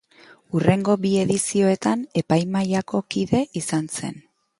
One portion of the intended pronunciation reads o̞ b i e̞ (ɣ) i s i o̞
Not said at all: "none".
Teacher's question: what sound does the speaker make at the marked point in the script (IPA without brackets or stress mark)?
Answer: ð